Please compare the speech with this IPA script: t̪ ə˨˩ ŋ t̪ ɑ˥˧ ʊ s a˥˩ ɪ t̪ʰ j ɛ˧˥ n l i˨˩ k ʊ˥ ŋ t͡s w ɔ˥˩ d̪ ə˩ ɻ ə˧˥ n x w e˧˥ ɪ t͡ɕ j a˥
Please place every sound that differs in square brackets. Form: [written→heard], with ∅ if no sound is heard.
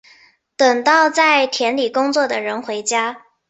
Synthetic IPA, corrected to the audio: t̪ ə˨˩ ŋ t̪ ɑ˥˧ ʊ [s→t͡s] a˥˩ ɪ t̪ʰ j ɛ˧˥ n l i˨˩ k ʊ˥ ŋ t͡s w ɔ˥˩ d̪ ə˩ ɻ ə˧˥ n x w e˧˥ ɪ t͡ɕ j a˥